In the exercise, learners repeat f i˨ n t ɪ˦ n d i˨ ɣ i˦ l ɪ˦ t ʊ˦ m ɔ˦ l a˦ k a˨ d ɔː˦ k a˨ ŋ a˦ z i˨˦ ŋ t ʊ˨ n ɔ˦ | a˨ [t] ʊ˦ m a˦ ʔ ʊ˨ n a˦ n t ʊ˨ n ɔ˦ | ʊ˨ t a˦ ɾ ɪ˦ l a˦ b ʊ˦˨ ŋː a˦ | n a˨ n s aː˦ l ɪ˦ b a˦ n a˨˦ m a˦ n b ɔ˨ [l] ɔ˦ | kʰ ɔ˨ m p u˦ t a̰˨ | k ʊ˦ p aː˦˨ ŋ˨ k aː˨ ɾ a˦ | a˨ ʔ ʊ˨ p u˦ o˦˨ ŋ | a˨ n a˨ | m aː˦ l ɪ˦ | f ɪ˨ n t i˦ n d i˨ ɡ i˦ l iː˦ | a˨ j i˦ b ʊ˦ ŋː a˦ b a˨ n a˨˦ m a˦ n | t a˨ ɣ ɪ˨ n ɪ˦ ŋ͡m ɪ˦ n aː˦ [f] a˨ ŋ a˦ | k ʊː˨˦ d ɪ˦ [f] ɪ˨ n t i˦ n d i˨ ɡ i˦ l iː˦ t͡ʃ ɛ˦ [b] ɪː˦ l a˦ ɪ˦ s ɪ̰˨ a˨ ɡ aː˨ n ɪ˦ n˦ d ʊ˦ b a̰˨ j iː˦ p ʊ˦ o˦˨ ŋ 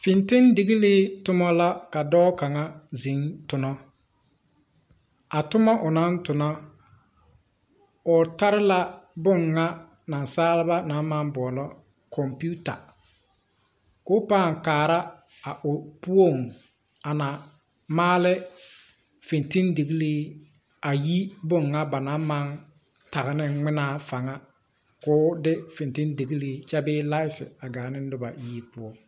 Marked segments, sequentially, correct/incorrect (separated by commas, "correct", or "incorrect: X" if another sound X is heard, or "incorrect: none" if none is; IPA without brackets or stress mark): correct, correct, correct, correct, correct